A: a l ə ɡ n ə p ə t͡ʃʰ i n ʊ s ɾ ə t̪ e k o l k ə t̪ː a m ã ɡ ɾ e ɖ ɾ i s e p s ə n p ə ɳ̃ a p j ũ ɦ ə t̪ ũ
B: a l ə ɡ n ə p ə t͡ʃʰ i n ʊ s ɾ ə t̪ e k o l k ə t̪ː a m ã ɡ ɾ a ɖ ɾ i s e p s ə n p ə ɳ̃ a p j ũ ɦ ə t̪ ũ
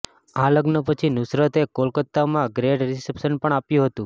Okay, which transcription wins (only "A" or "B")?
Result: A